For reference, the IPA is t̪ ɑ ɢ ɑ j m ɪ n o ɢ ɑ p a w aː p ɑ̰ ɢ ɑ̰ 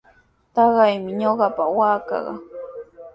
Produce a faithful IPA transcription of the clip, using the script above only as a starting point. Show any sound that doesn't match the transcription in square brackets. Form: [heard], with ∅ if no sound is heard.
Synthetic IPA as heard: t̪ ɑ ɢ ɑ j m ɪ [ɲ] o ɢ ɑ p a w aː [k] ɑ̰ ɢ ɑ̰